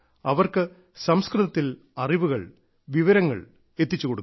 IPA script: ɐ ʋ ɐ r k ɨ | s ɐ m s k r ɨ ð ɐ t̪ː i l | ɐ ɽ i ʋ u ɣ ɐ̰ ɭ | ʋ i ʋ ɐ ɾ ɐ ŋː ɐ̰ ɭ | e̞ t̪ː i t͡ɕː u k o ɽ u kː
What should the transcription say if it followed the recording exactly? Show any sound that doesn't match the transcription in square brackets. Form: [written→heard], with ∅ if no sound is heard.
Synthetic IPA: ɐ ʋ ɐ r k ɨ | s ɐ m s k r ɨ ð ɐ t̪ː i l | ɐ [ɽ→r] i ʋ u ɣ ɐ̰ ɭ | ʋ i ʋ ɐ ɾ ɐ ŋː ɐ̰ ɭ | e̞ t̪ː i t͡ɕː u k o ɽ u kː

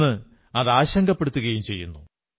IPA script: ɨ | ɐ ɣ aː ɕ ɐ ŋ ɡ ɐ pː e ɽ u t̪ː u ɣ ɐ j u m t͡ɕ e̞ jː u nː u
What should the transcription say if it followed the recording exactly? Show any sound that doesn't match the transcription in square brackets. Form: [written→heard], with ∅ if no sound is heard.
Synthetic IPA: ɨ | ɐ [ɣ→ð] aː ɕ ɐ ŋ ɡ ɐ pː e ɽ u t̪ː u ɣ ɐ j u m t͡ɕ e̞ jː u nː u

